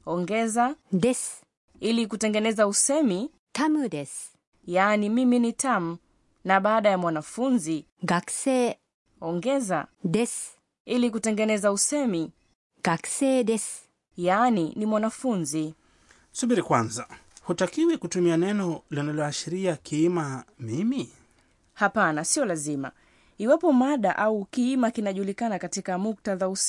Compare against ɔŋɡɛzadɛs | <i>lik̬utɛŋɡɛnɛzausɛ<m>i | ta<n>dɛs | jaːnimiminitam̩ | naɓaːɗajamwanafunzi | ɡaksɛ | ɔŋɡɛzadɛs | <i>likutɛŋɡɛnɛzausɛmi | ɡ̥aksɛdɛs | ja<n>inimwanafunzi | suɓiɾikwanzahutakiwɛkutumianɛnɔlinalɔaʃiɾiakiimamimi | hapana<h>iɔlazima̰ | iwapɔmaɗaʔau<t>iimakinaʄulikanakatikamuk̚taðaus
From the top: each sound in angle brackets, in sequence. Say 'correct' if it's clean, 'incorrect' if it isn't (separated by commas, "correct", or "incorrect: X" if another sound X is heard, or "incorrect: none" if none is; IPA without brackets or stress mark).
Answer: correct, correct, incorrect: m, correct, correct, incorrect: s, incorrect: k